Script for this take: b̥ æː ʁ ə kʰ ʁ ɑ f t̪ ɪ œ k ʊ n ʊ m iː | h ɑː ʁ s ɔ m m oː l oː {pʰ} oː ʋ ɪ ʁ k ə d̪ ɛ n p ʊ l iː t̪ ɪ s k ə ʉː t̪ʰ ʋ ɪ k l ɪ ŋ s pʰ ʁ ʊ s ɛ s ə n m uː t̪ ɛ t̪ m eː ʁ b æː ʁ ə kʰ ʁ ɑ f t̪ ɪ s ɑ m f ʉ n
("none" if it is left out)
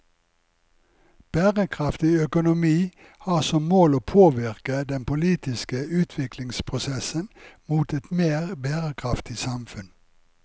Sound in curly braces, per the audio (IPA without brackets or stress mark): pʰ